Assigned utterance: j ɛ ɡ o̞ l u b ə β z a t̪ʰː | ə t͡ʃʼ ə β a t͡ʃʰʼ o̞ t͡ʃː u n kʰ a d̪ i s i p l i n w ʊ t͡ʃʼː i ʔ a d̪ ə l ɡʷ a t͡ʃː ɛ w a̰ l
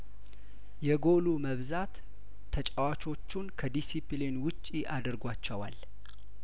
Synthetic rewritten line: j ɛ ɡ o̞ l u m ə β z a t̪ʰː | ə t͡ʃʼ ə w a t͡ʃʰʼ o̞ t͡ʃː u n kʰ ə d̪ i s i p l i n w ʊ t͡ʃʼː i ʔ a d̪ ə ɾ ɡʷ a t͡ʃː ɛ w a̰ l